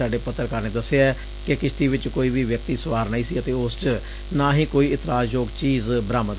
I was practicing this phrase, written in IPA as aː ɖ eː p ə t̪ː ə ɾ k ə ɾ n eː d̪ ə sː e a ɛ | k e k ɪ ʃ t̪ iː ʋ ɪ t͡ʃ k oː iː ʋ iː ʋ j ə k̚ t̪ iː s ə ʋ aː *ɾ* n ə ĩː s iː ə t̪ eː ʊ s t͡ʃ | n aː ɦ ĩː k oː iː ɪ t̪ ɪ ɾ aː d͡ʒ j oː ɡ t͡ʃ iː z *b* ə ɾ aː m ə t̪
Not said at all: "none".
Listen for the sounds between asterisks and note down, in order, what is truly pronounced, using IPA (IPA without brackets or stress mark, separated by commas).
ɾ, b